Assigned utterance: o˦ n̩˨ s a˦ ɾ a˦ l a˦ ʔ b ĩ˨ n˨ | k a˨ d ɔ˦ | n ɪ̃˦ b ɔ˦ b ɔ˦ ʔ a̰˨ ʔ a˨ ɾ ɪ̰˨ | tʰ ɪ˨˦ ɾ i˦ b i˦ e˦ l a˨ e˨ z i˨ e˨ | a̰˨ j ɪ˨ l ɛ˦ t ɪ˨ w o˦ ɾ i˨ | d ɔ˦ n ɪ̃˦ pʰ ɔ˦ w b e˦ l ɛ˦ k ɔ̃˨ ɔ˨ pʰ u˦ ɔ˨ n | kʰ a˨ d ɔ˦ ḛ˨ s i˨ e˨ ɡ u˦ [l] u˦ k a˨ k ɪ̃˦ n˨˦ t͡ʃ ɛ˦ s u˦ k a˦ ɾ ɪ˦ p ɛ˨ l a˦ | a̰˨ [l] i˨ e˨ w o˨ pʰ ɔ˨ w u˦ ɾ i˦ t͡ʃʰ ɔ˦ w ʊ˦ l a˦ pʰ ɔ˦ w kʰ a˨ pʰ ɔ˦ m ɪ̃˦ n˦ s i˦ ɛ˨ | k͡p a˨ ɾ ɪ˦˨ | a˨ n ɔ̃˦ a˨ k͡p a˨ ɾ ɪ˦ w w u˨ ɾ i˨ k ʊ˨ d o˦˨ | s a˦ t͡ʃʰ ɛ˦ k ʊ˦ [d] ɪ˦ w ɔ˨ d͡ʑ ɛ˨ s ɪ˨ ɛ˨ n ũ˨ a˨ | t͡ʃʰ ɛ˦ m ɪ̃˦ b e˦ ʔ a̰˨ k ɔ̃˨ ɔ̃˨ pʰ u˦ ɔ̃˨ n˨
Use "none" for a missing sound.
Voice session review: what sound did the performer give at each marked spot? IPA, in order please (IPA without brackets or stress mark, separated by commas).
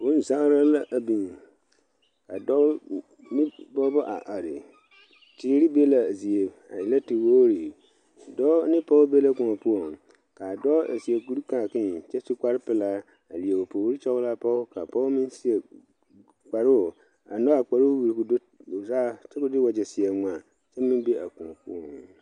ɾ, l, d